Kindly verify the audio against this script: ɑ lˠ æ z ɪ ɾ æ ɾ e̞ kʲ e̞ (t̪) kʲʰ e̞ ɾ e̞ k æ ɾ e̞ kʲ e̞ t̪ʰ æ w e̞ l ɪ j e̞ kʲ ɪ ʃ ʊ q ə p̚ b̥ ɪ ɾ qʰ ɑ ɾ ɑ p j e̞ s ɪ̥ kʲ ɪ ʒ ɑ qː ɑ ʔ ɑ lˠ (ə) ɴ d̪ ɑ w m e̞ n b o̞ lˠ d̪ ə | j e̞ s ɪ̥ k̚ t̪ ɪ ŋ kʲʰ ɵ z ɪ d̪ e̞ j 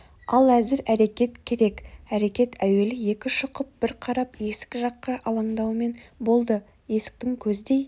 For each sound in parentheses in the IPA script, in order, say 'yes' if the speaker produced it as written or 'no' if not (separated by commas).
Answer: yes, no